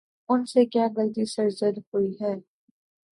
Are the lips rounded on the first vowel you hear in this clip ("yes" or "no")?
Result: yes